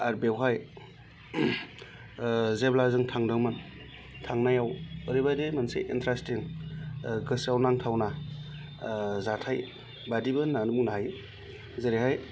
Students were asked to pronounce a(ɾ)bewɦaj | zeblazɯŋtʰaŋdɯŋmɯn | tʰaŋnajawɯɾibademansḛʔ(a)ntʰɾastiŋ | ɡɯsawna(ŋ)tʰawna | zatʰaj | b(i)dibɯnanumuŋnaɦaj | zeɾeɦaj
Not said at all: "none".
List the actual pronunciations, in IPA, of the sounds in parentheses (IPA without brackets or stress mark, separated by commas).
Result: ɾ, i, ŋ, a